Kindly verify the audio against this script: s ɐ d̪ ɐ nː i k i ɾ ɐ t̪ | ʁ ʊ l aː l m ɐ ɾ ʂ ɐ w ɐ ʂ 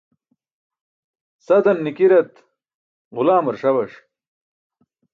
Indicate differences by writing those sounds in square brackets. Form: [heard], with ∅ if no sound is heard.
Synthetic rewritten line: s ɐ d̪ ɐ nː i k i ɾ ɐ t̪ | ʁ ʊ l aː [∅] m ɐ ɾ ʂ ɐ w ɐ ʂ